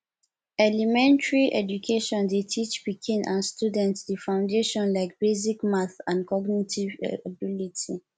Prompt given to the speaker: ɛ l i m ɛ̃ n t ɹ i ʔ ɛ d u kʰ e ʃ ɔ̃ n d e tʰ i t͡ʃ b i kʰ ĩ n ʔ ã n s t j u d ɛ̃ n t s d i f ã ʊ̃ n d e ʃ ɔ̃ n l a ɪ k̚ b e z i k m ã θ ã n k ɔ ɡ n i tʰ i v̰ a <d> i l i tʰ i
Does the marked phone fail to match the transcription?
yes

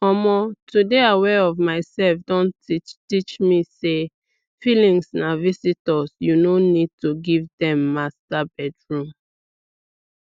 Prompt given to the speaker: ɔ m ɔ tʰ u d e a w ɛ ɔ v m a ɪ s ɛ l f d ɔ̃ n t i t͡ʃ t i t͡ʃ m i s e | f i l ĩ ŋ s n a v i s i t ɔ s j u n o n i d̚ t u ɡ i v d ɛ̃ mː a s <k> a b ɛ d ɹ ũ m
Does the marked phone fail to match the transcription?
yes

